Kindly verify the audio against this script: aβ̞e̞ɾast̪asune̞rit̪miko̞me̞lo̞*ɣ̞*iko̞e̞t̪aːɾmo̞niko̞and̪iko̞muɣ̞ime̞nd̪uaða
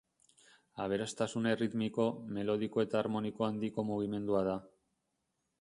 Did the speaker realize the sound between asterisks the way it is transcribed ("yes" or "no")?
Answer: no